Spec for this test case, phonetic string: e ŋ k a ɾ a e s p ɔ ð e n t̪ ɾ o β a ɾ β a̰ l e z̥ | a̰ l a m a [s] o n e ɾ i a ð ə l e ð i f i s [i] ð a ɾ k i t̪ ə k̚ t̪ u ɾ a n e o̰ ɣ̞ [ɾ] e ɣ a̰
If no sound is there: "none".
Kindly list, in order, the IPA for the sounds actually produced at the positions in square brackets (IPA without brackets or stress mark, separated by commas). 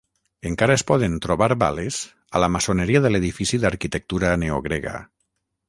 s, i, ɾ